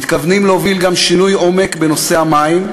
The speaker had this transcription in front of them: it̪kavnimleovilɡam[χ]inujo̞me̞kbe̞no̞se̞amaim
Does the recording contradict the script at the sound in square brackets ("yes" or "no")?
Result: yes